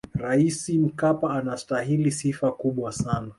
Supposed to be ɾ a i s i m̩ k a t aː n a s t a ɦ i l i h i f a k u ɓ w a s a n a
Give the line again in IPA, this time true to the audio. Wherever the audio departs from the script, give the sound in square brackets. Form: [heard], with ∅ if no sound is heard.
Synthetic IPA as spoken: ɾ a i s i m̩ k a [p] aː n a s t a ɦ i l i [s] i f a k u ɓ w a s a n a